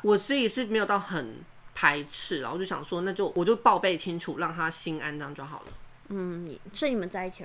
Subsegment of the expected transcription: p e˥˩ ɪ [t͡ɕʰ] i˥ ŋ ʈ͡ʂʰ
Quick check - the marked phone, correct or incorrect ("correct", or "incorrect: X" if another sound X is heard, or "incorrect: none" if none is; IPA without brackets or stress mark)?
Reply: correct